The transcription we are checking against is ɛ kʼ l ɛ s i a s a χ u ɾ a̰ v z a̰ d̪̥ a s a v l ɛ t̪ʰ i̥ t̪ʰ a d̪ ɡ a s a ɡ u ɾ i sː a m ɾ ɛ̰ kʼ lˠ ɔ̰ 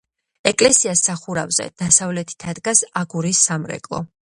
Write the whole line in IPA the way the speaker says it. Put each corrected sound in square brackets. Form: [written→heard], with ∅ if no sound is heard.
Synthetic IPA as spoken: ɛ kʼ l ɛ s i a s a χ u ɾ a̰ v z [a̰→ɛ̰] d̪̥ a s a v l ɛ t̪ʰ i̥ t̪ʰ a d̪ ɡ a s a ɡ u ɾ i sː a m ɾ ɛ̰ kʼ lˠ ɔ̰